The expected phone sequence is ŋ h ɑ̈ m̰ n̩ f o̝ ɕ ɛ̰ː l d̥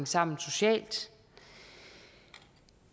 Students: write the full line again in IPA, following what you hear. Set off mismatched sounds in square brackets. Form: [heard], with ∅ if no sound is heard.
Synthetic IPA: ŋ [s] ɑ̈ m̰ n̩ [s] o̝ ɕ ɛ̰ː l d̥